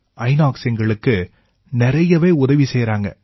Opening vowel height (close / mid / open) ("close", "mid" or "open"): open